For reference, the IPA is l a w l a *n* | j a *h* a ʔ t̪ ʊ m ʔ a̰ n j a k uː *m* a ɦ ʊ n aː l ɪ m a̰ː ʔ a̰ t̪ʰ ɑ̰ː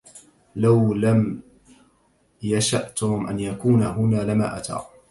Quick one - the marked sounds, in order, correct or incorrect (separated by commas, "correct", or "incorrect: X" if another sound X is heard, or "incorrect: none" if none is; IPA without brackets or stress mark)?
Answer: incorrect: m, incorrect: ʃ, incorrect: n